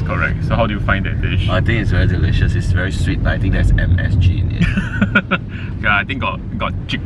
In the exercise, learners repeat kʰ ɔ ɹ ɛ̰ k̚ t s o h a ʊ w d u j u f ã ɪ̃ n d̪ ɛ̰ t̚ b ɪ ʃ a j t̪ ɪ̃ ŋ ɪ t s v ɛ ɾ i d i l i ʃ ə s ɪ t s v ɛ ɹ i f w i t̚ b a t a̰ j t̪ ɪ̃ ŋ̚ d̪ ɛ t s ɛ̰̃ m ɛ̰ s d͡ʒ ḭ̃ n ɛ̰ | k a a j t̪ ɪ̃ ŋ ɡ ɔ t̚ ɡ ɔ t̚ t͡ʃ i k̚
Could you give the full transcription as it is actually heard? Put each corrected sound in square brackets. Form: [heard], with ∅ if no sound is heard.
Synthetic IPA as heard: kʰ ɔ ɹ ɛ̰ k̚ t s o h a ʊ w d u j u f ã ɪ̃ n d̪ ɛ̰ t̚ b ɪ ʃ a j t̪ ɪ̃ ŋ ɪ t s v ɛ [ɹ] i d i l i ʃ ə s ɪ t s v ɛ ɹ i [s] w i t̚ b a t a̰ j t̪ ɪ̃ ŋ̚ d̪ ɛ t s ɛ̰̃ m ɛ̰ s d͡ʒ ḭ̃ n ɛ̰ | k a a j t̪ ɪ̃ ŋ ɡ ɔ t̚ ɡ ɔ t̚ t͡ʃ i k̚